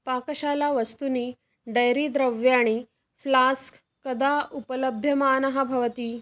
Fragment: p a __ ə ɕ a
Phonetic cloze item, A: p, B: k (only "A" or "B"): B